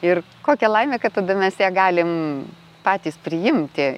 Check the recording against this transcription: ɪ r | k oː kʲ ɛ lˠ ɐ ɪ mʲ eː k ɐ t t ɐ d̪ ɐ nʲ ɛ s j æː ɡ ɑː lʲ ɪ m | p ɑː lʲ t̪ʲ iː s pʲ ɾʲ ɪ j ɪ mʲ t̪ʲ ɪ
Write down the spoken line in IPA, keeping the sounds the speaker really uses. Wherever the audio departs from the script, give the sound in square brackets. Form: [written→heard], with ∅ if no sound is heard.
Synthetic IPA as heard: ɪ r | k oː kʲ ɛ lˠ ɐ ɪ mʲ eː k ɐ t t ɐ d̪ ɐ [nʲ→mʲ] ɛ s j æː ɡ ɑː lʲ ɪ m | p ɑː [lʲ→∅] t̪ʲ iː s pʲ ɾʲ ɪ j ɪ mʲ t̪ʲ ɪ